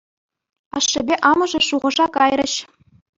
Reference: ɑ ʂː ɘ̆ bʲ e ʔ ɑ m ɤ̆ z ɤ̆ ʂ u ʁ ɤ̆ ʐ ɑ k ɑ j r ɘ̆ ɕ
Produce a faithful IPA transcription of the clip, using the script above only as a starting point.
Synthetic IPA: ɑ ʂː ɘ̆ bʲ e ʔ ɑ m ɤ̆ ʐ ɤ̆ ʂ u ʁ ɤ̆ ʐ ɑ k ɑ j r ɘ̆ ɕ